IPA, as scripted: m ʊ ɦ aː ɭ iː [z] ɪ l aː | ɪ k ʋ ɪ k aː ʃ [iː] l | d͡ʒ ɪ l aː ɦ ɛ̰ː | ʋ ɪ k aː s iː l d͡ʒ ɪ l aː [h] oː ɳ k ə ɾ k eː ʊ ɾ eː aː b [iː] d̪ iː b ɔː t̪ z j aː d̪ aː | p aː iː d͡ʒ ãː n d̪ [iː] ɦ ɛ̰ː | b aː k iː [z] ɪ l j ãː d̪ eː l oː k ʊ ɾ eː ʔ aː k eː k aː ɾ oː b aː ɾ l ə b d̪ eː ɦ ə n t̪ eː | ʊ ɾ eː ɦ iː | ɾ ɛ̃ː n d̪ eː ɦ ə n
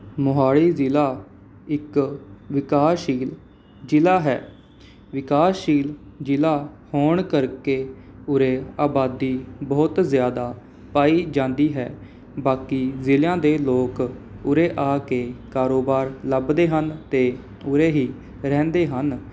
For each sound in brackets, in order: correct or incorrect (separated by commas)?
correct, correct, correct, incorrect, correct, correct